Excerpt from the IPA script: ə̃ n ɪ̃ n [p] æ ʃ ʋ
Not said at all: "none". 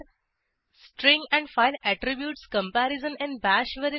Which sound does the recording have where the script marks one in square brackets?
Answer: b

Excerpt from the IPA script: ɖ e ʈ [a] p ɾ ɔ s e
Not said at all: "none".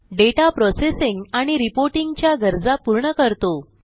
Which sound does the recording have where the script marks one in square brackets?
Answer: a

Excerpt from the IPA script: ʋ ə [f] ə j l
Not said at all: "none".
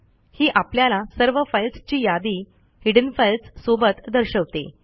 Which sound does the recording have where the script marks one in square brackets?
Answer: f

